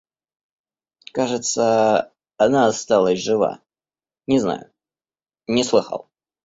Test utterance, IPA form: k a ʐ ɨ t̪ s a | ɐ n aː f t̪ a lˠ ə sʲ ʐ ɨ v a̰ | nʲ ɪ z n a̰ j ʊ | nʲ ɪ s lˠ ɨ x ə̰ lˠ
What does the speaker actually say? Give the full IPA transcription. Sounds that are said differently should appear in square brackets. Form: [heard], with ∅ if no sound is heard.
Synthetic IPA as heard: k a ʐ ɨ t̪ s [ə] | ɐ n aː [s] t̪ a lˠ ə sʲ ʐ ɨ v a̰ | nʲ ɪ z n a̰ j ʊ | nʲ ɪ s lˠ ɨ x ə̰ lˠ